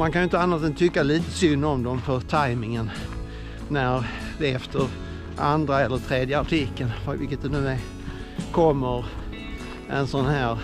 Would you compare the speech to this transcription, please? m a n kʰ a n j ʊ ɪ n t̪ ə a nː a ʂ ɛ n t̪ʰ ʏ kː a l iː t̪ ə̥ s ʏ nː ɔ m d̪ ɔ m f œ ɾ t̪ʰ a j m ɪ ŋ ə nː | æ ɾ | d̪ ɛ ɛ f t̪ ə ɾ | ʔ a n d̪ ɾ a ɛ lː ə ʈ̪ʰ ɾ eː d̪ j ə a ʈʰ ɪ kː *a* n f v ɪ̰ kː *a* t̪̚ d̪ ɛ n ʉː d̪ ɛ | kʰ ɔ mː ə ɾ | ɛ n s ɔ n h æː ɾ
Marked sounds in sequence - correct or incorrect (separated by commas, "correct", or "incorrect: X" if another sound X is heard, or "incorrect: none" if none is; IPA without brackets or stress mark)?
incorrect: ə, incorrect: ə